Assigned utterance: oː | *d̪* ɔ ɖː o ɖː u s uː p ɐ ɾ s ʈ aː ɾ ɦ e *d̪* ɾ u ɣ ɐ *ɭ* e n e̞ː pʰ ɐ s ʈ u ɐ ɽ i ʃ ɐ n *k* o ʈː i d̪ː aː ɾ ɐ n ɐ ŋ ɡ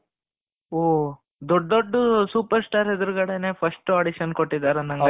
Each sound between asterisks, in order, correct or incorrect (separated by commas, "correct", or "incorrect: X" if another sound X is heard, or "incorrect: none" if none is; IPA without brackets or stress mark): correct, correct, incorrect: ɽ, correct